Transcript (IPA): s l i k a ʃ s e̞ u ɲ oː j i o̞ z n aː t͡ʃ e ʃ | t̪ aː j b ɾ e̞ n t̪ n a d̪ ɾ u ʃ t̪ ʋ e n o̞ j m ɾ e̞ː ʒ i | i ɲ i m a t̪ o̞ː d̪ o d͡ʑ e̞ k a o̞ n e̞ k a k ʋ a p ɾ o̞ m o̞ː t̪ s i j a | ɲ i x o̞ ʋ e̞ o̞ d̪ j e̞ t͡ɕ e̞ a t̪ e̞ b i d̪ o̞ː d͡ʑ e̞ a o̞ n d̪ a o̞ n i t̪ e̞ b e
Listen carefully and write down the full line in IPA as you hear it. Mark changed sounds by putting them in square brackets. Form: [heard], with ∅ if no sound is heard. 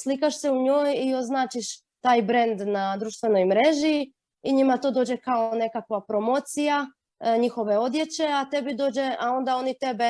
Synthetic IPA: s l i k a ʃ s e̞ u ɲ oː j i o̞ z n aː t͡ʃ [i] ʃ | t̪ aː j b ɾ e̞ n [d̪] n a d̪ ɾ u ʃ t̪ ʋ e n o̞ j m ɾ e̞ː ʒ i | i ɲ i m a t̪ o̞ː d̪ o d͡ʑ e̞ k a o̞ n e̞ k a k ʋ a p ɾ o̞ m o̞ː t̪ s i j a | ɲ i x o̞ ʋ e̞ o̞ d̪ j e̞ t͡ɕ e̞ a t̪ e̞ b i d̪ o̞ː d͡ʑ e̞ a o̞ n d̪ a o̞ n i t̪ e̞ b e